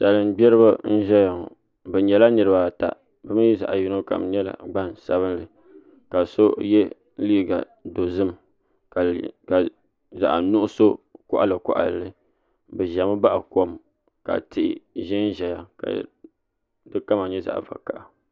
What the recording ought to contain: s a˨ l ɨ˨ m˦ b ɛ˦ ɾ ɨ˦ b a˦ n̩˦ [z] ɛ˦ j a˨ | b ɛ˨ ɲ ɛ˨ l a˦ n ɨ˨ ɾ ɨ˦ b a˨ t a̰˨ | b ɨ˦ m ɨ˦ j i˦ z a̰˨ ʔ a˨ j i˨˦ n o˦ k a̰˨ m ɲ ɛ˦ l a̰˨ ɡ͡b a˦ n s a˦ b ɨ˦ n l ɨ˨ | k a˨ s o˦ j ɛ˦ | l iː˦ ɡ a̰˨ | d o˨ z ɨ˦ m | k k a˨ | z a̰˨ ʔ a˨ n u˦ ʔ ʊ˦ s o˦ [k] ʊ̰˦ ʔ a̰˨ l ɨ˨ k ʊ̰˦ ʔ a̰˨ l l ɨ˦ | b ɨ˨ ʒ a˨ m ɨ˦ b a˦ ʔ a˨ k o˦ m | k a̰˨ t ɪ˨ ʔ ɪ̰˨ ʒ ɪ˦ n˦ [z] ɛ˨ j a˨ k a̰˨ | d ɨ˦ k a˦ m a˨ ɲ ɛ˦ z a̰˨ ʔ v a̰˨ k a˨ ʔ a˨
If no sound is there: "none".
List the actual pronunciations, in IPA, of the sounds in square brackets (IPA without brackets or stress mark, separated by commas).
ʒ, k, ʒ